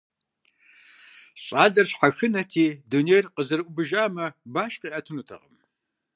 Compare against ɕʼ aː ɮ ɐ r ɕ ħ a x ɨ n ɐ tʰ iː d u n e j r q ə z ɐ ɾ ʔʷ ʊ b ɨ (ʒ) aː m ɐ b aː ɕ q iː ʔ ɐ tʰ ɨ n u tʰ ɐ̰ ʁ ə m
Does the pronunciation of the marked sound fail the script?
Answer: no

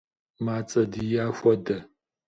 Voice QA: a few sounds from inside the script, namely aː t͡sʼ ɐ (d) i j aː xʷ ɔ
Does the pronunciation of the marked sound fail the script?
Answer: no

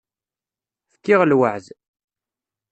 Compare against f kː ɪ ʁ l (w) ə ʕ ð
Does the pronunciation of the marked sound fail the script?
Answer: no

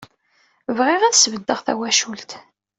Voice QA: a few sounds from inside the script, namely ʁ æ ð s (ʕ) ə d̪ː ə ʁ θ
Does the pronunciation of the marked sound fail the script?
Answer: yes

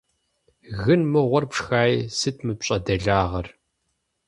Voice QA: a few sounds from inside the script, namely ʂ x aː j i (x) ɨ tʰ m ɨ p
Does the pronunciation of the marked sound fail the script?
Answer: yes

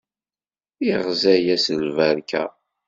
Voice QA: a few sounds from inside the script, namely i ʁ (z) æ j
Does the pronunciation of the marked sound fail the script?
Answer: no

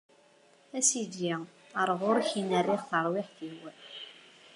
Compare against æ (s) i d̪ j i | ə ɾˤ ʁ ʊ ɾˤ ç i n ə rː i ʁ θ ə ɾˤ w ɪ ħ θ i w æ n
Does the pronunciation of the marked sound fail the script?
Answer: no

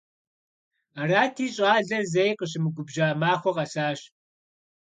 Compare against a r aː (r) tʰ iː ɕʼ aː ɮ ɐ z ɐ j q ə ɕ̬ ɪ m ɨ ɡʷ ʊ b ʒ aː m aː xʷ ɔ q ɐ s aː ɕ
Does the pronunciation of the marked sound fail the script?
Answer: yes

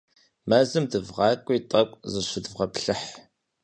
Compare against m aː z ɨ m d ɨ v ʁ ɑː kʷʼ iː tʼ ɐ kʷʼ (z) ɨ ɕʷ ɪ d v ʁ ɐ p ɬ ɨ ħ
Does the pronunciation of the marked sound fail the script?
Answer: no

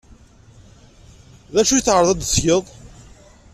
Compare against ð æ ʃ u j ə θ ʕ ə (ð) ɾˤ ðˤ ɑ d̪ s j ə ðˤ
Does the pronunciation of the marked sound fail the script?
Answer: yes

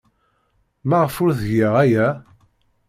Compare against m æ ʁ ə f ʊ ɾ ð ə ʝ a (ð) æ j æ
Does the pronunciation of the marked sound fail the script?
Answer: yes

